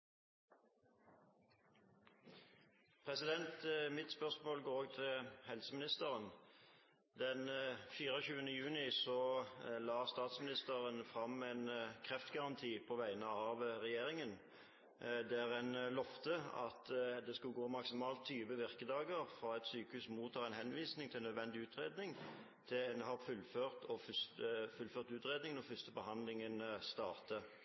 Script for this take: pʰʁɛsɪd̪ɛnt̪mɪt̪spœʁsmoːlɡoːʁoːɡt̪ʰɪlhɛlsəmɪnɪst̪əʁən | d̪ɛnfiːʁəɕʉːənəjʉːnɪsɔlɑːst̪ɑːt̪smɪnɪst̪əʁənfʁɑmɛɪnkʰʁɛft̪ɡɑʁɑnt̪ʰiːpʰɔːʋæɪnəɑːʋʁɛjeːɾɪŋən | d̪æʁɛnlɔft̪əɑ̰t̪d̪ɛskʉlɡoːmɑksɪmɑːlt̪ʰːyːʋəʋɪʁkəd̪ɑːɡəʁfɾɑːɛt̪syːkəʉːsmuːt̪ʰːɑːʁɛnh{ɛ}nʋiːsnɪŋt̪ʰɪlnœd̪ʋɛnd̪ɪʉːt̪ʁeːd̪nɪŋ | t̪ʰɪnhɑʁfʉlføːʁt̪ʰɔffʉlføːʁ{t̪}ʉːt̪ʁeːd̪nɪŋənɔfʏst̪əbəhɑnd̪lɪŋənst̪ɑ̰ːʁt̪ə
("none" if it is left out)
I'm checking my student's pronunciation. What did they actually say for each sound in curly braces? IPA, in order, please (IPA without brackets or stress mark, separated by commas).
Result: ɛ, t̪